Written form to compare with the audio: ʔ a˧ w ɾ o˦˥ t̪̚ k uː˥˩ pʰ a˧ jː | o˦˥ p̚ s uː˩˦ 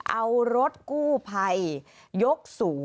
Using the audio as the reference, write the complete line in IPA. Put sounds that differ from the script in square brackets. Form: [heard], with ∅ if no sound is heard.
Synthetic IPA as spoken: ʔ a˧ w ɾ o˦˥ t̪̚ k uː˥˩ pʰ a˧ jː | o˦˥ [k̚] s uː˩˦